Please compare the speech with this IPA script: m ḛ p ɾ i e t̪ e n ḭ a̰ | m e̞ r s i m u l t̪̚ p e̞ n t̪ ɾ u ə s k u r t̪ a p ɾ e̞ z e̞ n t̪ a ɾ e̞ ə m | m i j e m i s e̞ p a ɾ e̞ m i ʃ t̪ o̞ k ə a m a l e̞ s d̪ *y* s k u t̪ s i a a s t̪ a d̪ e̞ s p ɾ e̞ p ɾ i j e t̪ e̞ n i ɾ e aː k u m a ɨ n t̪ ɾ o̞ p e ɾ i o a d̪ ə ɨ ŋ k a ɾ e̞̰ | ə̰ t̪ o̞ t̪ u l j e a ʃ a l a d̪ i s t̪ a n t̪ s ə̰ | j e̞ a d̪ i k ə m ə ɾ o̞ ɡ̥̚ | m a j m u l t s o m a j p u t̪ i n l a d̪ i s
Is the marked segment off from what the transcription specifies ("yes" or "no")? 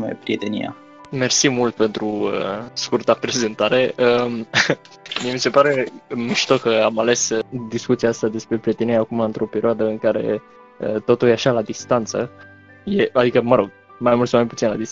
yes